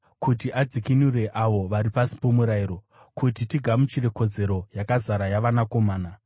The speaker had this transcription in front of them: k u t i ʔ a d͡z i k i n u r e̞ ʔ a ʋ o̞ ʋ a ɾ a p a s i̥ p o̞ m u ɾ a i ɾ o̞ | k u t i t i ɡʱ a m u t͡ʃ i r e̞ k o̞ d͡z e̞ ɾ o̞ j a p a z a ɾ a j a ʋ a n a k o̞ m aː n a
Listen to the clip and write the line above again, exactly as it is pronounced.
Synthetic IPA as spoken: k u t i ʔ a d͡z i k i n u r e̞ ʔ a ʋ o̞ ʋ a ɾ i p a s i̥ p o̞ m u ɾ a i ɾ o̞ | k u t i t i ɡʱ a m u t͡ʃ i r e̞ k o̞ d͡z e̞ ɾ o̞ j a k a z a ɾ a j a ʋ a n a k o̞ m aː n a